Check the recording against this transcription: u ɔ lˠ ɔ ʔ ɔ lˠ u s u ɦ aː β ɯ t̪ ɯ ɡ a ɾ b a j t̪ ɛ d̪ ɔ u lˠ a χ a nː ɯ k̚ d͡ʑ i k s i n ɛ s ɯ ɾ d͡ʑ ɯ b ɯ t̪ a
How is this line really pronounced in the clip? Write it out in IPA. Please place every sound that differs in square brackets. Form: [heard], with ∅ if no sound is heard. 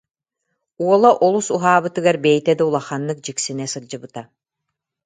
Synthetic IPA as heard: u ɔ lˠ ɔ ʔ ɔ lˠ u s u ɦ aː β ɯ t̪ ɯ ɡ a ɾ b [ɛ] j t̪ ɛ d̪ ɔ u lˠ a χ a nː ɯ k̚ d͡ʑ i k s i n ɛ s ɯ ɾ d͡ʑ ɯ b ɯ t̪ a